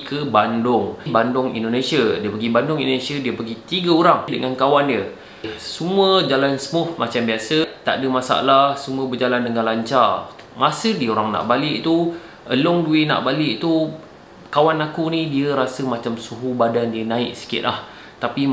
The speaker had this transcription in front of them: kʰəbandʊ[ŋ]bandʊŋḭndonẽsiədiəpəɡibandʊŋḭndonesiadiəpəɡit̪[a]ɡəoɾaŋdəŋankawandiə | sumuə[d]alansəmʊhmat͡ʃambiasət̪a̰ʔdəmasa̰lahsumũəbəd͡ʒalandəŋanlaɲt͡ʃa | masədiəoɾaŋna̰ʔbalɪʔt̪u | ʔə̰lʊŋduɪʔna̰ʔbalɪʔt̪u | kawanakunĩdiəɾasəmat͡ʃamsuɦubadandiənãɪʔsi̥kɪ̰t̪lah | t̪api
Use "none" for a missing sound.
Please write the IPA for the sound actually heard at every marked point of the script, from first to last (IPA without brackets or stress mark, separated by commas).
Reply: ŋ, i, d͡ʒ